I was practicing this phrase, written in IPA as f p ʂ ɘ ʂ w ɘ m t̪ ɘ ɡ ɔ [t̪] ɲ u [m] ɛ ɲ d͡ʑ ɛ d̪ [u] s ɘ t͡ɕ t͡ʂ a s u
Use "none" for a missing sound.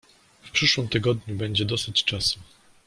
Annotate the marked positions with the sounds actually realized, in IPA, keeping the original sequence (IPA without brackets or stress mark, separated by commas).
d̪, b, ɔ